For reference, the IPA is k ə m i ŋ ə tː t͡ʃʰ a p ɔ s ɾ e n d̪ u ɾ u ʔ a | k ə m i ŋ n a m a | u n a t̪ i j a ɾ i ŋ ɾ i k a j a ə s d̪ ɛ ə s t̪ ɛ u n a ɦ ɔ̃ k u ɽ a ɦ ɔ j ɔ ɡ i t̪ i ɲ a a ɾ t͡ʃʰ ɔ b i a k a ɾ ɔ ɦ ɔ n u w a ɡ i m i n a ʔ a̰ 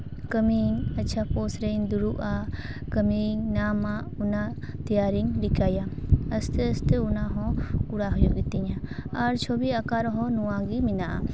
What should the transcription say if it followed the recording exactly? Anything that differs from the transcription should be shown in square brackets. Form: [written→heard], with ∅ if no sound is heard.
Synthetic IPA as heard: k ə m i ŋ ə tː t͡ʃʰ a p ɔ s ɾ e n d̪ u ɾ u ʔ a | k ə m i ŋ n a m a | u n a t̪ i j a ɾ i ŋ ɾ i k a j a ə s [d̪→t̪] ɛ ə s t̪ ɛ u n a ɦ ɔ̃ k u ɽ a ɦ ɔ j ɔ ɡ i t̪ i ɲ a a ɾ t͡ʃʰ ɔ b i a k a ɾ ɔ ɦ ɔ n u w a ɡ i m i n a ʔ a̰

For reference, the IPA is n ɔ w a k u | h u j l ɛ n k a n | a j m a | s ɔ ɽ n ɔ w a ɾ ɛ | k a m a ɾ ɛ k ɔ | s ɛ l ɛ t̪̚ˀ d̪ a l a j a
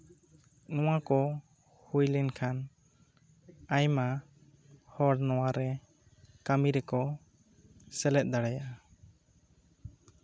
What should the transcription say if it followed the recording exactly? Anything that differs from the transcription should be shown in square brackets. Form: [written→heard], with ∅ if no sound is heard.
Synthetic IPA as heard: n ɔ w a k [u→ɔ] | h u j l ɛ n [k→kʰ] a n | a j m a | [s→h] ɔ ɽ n ɔ w a ɾ ɛ | k a m [a→i] ɾ ɛ k ɔ | s ɛ l ɛ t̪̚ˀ d̪ a [l→ɽ] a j a

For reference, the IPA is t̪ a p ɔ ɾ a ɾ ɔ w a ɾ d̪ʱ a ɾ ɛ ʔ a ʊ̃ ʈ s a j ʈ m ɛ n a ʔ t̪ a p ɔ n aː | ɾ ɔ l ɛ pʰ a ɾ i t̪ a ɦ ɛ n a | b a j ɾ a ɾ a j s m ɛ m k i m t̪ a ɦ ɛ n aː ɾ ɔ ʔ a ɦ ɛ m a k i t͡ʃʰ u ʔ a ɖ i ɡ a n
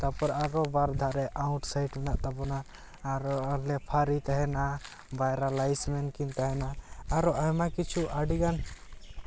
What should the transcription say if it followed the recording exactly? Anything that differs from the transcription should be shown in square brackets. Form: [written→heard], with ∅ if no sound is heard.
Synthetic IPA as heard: t̪ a p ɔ ɾ a ɾ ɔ [w→b] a ɾ d̪ʱ a ɾ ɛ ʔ a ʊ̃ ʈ s a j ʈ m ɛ n a ʔ t̪ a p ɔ n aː | ɾ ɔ l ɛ pʰ a ɾ i t̪ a ɦ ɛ n a | b a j ɾ a [ɾ→l] a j s m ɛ [m→n] k i [m→n] t̪ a ɦ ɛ n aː ɾ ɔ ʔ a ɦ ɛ m a k i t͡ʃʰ u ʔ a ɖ i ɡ a n

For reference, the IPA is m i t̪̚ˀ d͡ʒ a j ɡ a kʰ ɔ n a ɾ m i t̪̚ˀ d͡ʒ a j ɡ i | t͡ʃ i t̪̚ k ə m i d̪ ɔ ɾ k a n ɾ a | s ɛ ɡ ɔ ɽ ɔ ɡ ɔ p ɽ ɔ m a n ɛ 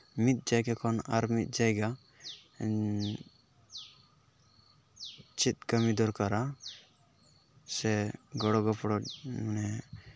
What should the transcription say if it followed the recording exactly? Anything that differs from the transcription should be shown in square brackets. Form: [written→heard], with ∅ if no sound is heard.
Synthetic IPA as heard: m i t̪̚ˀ d͡ʒ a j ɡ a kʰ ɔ n a ɾ m i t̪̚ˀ d͡ʒ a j ɡ [i→a] | t͡ʃ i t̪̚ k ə m i d̪ ɔ ɾ k a [n→∅] ɾ a | s ɛ ɡ ɔ ɽ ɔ ɡ ɔ p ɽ ɔ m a n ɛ

